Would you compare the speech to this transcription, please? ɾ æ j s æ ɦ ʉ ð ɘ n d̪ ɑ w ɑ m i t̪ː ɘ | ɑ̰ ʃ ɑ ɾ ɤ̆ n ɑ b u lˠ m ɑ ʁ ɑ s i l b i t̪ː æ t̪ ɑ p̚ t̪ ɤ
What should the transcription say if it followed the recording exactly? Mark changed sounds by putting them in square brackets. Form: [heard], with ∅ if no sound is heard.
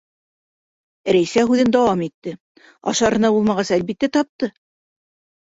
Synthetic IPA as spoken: ɾ æ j s æ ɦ ʉ ð ɘ n d̪ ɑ w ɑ m i t̪ː ɘ | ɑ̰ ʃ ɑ ɾ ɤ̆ n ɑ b u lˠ m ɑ ʁ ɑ s [æ] l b i t̪ː æ t̪ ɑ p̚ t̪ ɤ